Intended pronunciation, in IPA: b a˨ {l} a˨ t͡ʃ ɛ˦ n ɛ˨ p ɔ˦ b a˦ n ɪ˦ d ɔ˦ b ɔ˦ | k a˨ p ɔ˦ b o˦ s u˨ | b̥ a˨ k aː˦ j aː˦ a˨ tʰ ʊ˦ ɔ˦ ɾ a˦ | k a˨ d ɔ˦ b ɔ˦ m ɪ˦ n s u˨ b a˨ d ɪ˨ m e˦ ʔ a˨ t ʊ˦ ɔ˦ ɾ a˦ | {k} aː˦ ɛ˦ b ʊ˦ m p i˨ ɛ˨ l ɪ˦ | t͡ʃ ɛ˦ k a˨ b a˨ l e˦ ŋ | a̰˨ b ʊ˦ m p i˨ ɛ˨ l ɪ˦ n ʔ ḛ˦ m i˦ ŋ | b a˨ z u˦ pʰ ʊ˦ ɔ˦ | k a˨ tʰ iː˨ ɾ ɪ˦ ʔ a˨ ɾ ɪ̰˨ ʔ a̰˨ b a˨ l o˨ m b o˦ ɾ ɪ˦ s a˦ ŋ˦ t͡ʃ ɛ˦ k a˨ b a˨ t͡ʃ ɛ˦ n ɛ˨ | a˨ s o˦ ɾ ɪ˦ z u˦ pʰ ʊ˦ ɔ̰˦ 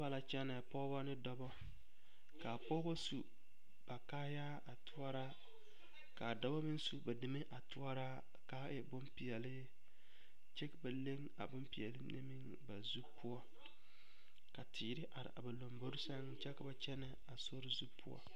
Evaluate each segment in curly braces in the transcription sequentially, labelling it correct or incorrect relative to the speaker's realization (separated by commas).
correct, correct